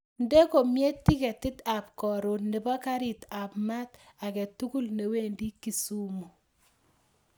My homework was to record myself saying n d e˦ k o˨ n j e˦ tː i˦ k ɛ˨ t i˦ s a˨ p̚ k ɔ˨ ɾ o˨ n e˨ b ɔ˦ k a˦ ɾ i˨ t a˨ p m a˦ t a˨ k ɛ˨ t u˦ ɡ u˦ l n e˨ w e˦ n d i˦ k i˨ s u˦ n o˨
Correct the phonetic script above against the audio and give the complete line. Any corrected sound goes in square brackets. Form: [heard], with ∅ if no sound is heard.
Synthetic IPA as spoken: n d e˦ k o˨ [m] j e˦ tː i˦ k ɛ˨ t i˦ [t] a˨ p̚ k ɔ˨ ɾ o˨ n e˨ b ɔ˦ k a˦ ɾ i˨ t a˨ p m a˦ t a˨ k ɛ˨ t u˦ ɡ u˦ l n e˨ w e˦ n d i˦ k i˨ s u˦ [m] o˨